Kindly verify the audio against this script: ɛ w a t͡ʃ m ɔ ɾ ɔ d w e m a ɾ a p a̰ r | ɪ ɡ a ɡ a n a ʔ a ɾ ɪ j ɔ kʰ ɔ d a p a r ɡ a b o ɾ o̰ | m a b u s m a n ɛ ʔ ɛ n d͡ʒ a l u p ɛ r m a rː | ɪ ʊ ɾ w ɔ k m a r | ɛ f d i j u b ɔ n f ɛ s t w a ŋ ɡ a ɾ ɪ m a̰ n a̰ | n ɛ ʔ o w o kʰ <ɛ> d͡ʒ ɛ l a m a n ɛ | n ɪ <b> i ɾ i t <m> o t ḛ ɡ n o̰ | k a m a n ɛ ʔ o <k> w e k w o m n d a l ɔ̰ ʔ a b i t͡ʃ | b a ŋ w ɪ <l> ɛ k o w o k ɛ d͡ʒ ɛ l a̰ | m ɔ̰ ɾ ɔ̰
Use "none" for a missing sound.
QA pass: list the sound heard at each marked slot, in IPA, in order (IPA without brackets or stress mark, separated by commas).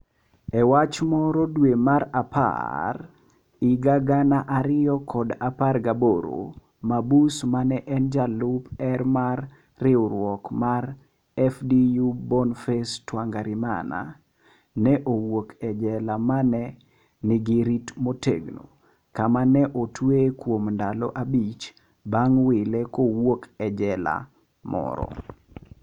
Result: ɛ, ɡ, m, t, l